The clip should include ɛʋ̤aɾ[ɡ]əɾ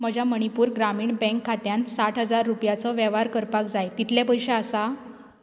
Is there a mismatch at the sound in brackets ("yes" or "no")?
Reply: yes